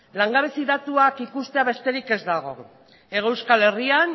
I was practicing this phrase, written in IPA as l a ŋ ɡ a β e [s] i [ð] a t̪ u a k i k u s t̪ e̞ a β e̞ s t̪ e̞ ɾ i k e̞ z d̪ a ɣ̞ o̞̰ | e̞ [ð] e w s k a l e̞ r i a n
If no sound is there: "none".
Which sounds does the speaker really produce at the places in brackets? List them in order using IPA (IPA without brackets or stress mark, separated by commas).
s, ð, ɣ